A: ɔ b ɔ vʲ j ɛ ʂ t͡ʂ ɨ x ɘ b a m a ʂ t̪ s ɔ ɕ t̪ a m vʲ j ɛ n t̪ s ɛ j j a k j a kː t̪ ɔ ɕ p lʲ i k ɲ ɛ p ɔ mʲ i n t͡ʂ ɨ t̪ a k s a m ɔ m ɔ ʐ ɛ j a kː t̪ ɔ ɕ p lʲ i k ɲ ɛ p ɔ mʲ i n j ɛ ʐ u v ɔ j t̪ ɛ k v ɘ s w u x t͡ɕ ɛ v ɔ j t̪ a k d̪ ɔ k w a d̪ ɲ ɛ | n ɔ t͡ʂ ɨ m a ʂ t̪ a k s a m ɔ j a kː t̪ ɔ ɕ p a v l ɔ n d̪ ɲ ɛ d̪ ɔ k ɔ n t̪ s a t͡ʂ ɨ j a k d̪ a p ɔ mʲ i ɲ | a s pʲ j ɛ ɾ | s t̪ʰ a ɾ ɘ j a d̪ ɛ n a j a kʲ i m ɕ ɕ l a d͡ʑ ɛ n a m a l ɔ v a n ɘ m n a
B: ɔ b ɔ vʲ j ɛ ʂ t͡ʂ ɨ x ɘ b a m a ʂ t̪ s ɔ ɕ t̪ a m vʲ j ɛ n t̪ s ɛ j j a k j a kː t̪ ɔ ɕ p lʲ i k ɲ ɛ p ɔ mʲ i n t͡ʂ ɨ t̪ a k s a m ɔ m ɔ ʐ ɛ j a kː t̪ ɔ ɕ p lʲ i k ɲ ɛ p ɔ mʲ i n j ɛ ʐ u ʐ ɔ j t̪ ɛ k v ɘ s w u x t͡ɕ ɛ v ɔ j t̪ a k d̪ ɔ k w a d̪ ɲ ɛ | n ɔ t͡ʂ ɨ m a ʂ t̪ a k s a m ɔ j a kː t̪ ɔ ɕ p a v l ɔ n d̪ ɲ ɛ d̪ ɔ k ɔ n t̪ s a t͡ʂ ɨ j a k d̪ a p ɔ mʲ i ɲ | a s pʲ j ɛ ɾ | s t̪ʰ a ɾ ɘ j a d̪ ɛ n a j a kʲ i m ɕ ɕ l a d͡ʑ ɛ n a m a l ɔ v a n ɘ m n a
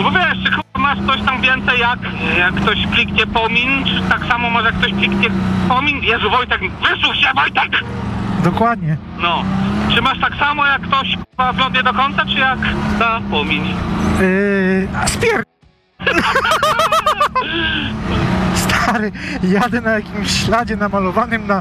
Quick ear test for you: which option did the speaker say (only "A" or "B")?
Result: A